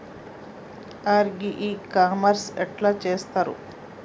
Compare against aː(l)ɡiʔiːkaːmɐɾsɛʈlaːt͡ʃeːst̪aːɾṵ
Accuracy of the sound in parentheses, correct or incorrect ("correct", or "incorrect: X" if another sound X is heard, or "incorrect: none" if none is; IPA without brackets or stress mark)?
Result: incorrect: ɾ